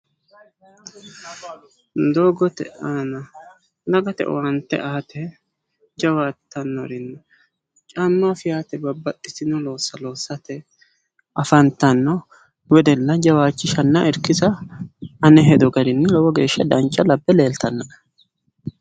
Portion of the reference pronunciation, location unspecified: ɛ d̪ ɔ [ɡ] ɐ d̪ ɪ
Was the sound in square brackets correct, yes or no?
yes